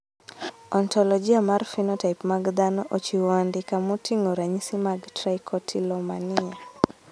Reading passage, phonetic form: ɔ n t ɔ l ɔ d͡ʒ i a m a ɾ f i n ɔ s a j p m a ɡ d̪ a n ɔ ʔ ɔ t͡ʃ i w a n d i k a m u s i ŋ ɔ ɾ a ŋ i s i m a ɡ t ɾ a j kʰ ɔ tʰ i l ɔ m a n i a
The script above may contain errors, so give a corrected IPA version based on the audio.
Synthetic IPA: ɔ n t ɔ l ɔ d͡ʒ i a m a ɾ f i n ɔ t a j p m a ɡ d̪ a n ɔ ʔ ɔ t͡ʃ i w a n d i k a m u t i ŋ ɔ ɾ a ɲ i s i m a ɡ t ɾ a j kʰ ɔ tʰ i l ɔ m a n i a